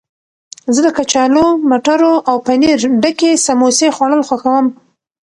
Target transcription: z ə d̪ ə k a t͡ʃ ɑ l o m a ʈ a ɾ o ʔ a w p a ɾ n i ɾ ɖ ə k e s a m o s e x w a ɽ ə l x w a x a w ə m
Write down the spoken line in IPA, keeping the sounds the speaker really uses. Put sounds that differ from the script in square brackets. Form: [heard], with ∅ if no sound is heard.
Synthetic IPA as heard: z ə d̪ ə k a t͡ʃ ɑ l o m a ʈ a ɾ o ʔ a w p a [∅] n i ɾ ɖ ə k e s a m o s e x w a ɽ ə l x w a x a w ə m